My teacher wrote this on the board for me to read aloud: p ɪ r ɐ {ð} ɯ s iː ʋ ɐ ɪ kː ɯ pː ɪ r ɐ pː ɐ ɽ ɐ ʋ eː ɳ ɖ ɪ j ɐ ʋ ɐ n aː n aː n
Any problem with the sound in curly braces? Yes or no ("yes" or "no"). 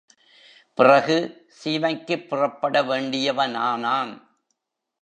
yes